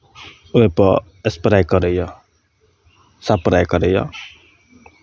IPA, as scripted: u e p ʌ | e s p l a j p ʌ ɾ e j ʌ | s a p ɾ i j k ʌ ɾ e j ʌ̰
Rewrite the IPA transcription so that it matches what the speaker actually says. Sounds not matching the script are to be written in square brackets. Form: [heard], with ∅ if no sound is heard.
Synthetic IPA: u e p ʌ | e s p [ɾ] a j [k] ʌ ɾ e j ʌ | s a p ɾ [a] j k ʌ ɾ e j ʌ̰